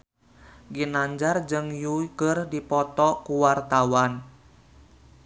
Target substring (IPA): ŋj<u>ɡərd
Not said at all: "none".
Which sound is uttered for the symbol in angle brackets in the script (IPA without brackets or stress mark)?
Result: u